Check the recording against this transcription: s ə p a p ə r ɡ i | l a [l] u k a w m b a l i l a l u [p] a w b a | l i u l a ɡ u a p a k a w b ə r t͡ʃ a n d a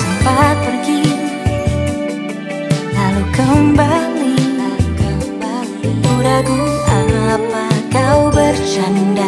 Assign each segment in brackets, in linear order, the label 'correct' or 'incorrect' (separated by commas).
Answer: correct, incorrect